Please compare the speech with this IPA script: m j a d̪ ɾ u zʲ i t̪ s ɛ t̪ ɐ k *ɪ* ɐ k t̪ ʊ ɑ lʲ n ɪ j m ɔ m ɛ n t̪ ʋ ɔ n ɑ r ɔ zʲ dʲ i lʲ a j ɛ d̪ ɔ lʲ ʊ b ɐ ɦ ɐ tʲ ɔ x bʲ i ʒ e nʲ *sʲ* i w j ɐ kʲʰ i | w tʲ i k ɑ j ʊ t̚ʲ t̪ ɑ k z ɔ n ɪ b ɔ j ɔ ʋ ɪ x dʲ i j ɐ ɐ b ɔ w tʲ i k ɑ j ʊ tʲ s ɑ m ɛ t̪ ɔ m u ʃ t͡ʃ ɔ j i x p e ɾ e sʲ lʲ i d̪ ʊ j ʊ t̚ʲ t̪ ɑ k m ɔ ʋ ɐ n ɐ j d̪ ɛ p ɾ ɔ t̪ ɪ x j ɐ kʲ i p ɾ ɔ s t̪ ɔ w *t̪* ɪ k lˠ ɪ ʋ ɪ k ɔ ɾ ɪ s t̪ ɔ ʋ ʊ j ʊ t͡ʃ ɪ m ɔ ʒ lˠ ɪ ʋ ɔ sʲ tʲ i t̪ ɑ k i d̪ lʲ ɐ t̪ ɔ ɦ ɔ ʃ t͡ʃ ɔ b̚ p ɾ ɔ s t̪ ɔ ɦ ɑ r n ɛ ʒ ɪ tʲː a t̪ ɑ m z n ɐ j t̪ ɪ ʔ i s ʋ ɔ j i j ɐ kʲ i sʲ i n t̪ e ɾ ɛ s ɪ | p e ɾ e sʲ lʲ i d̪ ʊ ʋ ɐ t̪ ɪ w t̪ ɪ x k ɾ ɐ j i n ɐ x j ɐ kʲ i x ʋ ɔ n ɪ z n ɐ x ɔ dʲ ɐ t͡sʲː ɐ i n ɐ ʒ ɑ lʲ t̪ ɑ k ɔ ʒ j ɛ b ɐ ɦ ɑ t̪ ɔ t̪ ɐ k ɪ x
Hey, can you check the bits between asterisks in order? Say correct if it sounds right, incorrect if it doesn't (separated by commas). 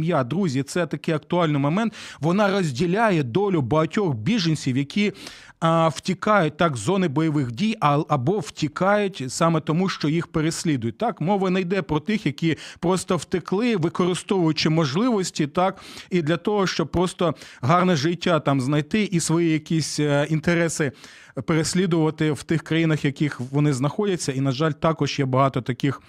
correct, correct, correct